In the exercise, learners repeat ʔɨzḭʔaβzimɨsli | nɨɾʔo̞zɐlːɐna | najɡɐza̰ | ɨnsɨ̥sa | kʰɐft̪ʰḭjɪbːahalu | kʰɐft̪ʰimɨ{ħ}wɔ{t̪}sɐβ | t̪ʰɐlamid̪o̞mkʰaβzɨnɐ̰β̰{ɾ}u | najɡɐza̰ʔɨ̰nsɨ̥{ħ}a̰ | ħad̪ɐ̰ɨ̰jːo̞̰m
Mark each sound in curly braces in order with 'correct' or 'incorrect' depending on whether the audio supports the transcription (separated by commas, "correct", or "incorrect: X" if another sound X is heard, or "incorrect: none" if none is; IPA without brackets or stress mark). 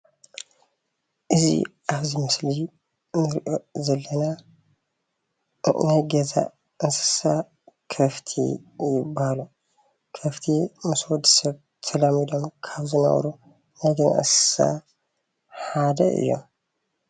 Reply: incorrect: s, incorrect: d̪, correct, incorrect: s